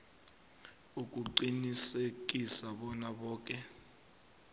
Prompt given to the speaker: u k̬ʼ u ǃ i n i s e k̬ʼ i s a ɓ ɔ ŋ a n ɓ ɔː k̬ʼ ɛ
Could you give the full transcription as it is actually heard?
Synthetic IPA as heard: u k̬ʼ u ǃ i n i s e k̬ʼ i s a ɓ ɔ n a ɓ ɔː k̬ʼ ɛ